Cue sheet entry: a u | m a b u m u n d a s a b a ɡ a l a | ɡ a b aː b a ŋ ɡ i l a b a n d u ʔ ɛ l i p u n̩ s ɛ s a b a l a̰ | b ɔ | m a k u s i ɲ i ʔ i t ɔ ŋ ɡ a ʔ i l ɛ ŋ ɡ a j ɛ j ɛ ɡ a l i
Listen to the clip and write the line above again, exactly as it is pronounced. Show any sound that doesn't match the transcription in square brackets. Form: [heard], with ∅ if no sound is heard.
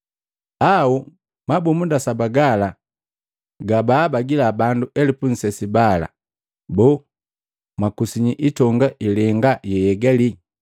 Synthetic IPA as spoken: a u | m a b u m u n d a s a b a ɡ a l a | ɡ a b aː b a [∅] ɡ i l a b a n d u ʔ ɛ l i p u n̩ s ɛ s [i] b a l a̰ | b ɔ | m a k u s i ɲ i ʔ i t ɔ ŋ ɡ a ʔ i l ɛ ŋ ɡ a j ɛ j ɛ ɡ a l i